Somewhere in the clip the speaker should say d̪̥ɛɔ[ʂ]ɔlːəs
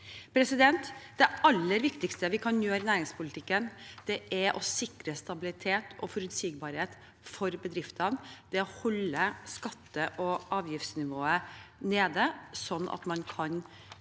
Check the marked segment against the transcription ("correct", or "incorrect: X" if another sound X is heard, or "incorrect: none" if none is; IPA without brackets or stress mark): incorrect: h